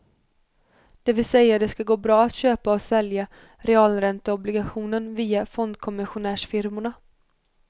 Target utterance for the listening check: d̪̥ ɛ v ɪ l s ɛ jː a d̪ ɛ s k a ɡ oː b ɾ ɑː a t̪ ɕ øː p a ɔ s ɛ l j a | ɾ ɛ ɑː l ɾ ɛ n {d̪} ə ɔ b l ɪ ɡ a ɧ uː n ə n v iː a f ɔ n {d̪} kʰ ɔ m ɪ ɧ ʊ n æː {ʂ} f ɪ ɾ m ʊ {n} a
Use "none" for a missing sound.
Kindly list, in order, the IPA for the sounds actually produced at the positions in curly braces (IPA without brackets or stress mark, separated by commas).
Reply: t̪, d̪, ʂ, ɳ